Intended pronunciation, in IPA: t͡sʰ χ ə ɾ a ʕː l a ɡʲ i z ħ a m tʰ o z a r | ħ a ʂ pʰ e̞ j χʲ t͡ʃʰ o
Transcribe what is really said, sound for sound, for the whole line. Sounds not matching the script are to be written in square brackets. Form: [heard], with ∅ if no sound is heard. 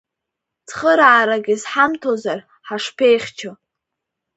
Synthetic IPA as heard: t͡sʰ χ ə ɾ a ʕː [ɾ] a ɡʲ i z ħ a m tʰ o z a r | ħ a ʂ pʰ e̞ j χʲ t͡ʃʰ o